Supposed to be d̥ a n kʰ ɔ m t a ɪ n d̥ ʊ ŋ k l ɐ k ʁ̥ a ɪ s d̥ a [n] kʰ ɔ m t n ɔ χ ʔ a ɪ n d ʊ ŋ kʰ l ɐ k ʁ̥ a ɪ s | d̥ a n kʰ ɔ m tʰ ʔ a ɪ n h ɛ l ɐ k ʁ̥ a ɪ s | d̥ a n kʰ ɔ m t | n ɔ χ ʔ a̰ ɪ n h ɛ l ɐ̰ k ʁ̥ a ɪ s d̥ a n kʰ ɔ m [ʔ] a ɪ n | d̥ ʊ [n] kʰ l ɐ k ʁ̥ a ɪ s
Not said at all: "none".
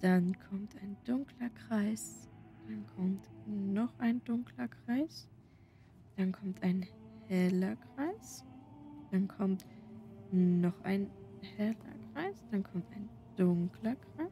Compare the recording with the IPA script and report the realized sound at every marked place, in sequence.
n, t, ŋ

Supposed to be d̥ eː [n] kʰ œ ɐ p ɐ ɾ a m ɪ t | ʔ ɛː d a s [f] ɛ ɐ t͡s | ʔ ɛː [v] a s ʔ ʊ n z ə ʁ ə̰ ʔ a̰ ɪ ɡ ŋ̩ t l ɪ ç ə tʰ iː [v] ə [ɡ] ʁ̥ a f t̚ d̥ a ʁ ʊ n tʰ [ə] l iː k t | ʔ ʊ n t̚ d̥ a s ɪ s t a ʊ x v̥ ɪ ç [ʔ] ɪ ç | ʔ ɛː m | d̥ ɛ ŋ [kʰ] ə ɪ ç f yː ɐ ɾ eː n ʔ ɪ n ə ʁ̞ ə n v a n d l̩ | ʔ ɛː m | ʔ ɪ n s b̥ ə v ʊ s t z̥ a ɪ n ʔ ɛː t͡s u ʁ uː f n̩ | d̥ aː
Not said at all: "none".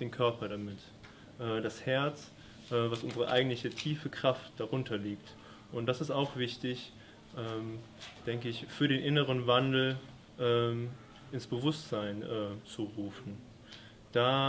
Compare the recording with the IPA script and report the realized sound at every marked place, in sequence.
n, h, v, f, k, ɐ, t, k

